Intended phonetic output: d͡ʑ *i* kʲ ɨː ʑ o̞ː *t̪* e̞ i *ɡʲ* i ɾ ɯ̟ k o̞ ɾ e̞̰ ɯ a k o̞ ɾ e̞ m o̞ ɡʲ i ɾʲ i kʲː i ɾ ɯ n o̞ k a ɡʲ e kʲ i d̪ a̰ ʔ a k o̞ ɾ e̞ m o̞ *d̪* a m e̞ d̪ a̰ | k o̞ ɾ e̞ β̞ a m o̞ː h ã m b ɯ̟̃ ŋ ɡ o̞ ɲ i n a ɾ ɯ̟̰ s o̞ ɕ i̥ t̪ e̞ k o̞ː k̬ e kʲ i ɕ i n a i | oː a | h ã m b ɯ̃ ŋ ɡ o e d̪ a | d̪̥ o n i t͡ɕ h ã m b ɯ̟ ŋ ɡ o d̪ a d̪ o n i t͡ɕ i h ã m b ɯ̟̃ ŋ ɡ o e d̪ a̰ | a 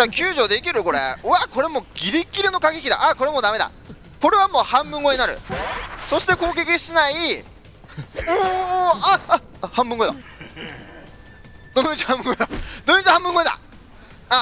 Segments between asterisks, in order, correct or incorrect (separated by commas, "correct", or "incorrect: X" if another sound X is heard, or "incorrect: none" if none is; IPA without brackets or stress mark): incorrect: a, incorrect: d̪, incorrect: kʲ, correct